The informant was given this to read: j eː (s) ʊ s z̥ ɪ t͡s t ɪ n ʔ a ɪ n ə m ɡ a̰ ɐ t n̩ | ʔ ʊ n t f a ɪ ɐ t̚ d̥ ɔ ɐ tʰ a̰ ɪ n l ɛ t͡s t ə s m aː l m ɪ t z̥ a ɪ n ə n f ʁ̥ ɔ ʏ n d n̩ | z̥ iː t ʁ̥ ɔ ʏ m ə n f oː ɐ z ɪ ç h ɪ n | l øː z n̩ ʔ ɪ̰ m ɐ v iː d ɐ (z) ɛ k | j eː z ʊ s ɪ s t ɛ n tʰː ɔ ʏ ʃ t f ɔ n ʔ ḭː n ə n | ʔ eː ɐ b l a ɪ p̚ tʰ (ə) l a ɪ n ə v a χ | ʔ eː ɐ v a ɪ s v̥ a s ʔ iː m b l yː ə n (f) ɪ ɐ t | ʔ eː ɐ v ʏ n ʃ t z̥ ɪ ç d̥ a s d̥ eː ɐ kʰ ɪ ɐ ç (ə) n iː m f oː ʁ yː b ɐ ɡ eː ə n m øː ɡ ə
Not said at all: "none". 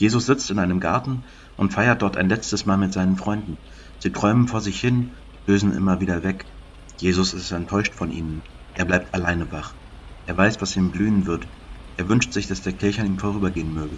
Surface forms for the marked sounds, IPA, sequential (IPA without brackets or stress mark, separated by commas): z, v, a, v, a